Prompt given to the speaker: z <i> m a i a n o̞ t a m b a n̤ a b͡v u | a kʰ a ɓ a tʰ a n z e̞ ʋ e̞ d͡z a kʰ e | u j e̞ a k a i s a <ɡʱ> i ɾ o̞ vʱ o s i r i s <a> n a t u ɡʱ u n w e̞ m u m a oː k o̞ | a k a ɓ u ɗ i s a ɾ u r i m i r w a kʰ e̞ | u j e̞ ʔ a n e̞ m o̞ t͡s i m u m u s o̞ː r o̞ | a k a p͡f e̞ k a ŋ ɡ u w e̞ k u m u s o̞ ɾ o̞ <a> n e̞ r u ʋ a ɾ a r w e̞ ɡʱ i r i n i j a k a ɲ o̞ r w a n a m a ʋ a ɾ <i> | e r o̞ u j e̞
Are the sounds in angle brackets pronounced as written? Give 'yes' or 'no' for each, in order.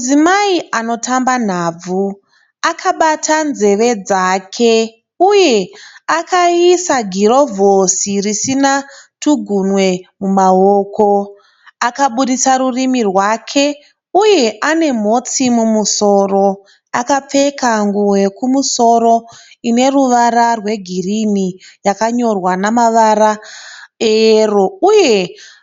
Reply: yes, yes, no, no, no

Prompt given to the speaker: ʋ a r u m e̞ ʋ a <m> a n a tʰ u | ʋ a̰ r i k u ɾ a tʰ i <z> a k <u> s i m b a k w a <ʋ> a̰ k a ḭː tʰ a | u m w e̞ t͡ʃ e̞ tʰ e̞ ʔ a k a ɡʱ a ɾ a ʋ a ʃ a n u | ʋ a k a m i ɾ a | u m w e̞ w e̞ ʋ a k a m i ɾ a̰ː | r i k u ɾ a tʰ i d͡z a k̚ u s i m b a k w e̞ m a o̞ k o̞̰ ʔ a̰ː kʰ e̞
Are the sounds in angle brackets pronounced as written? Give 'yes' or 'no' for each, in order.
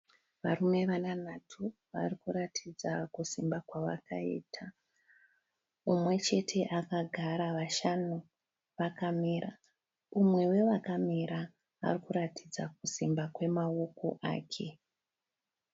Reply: no, no, yes, yes

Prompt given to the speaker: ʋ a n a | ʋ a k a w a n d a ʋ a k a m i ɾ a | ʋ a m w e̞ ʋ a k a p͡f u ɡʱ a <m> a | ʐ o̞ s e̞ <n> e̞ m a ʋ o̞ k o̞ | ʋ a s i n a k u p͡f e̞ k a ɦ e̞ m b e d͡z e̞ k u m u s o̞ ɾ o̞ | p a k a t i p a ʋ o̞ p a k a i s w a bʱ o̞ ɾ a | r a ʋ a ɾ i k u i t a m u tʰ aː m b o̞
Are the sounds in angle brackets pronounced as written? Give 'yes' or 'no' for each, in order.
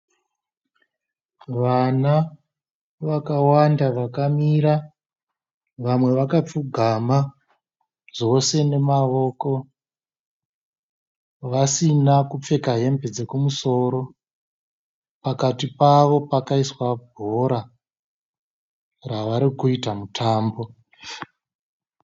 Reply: yes, yes

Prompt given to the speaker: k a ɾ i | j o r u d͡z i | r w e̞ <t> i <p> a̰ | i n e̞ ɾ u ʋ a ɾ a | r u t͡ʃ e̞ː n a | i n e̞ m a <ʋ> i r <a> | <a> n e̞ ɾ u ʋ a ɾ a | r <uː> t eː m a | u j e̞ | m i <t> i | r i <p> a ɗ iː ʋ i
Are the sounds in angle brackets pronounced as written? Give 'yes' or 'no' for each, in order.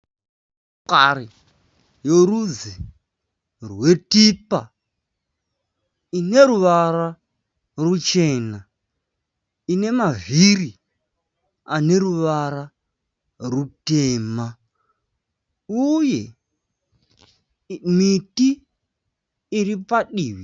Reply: yes, yes, no, no, yes, no, yes, yes

